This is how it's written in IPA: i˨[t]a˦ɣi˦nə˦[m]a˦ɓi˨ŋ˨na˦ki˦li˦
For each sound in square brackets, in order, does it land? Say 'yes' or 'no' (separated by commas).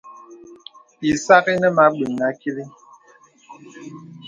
no, yes